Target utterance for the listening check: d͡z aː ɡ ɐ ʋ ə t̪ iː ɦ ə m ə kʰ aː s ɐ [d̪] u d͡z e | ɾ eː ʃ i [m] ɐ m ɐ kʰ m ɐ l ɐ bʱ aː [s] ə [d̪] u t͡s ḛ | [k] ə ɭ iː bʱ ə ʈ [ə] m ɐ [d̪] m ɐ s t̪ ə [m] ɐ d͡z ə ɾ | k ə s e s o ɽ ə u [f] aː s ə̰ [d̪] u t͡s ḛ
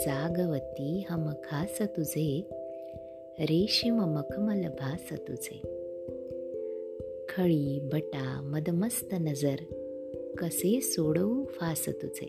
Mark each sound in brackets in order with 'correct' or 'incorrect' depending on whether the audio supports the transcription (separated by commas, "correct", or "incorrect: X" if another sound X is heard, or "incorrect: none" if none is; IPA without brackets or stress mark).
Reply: incorrect: t̪, correct, correct, incorrect: t̪, incorrect: kʰ, incorrect: a, correct, incorrect: n, correct, incorrect: t̪